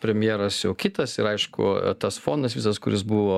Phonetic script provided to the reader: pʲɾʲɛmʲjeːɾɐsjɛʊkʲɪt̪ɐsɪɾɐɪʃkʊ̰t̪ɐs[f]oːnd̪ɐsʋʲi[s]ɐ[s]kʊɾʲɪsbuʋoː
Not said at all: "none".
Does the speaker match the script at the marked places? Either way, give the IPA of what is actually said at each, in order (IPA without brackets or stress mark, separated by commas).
f, s, s